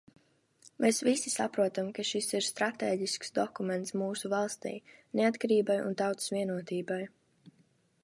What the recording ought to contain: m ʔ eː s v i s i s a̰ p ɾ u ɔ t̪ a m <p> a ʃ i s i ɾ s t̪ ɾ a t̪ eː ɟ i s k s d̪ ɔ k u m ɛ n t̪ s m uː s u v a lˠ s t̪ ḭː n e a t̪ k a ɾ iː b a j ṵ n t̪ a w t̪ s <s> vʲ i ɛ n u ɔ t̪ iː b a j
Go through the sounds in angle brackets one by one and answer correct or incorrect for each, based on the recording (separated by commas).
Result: incorrect, correct